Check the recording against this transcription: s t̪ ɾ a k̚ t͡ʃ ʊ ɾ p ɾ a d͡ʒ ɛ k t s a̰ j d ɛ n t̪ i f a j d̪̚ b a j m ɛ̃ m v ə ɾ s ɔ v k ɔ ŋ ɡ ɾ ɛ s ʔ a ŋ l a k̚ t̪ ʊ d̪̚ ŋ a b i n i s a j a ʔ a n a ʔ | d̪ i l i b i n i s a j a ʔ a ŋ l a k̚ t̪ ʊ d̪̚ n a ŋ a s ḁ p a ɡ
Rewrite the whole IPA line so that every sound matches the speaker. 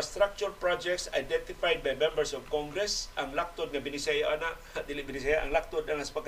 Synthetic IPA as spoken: s t̪ ɾ a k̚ t͡ʃ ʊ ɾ p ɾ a d͡ʒ ɛ k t s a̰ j d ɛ n t̪ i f a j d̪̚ b a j m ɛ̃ m b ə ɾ s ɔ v k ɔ ŋ ɡ ɾ ɛ s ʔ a ŋ l a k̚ t̪ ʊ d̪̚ ŋ a b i n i s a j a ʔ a n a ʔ | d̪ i l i b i n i s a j a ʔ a ŋ l a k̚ t̪ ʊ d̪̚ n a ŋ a s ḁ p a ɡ